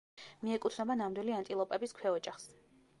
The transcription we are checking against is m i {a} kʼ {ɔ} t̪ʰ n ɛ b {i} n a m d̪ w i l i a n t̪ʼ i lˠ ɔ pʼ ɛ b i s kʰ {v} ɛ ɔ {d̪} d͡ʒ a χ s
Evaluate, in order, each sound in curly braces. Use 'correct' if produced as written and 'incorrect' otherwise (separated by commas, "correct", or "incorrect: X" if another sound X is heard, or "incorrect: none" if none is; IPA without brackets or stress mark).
incorrect: ɛ, incorrect: u, incorrect: a, incorrect: w, incorrect: none